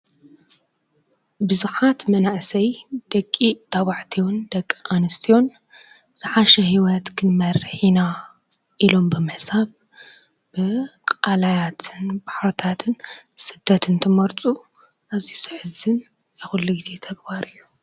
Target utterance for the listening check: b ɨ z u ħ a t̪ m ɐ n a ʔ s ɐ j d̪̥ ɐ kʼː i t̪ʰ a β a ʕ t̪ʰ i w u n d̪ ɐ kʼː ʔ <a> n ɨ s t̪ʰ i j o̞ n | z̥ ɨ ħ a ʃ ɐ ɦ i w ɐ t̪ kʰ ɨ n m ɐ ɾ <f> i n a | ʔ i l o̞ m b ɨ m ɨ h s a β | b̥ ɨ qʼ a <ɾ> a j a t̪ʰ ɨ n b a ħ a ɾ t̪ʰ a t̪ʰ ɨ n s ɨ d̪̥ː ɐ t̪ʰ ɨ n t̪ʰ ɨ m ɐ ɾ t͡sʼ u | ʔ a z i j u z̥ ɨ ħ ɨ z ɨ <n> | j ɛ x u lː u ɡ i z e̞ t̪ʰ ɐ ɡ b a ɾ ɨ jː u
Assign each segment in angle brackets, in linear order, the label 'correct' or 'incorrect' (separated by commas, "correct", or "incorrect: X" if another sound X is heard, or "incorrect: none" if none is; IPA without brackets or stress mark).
correct, incorrect: ħ, incorrect: l, correct